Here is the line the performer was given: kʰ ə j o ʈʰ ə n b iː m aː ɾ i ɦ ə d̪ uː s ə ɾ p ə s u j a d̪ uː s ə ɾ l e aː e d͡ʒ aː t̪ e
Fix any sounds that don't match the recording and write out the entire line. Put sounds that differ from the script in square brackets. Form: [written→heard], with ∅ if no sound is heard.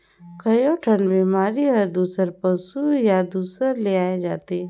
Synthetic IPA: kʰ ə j o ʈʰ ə n b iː m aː ɾ i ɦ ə d̪ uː s ə ɾ p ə s u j a d̪ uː s ə ɾ l e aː e d͡ʒ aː t̪ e